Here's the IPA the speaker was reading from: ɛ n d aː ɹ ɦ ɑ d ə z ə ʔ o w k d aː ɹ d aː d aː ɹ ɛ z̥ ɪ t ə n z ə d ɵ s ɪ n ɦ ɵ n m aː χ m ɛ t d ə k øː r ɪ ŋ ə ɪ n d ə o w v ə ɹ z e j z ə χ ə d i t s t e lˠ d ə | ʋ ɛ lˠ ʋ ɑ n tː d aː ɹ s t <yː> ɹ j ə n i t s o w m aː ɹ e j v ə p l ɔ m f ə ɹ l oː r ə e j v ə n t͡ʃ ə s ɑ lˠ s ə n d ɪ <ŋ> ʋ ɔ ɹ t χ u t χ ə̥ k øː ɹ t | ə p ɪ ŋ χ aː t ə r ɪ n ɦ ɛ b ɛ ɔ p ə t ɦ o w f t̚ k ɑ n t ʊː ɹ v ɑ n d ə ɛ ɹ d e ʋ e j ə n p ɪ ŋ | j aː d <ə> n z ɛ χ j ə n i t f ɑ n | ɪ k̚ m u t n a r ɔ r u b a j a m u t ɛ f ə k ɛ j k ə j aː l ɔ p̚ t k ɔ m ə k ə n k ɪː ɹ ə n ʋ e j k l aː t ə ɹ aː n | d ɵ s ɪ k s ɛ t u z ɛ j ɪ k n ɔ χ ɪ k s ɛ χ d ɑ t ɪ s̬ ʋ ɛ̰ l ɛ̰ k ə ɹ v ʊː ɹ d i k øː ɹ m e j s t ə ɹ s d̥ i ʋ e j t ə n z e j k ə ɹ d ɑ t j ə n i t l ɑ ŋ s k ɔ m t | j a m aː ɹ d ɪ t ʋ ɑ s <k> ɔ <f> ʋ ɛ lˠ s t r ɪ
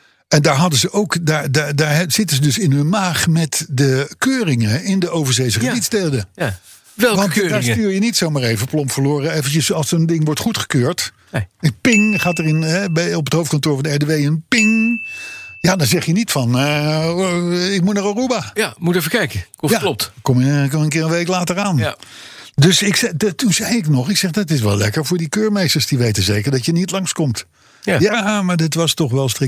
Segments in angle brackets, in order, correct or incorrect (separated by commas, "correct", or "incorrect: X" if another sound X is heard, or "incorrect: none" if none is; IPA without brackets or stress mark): correct, correct, incorrect: ɑ, incorrect: t, incorrect: χ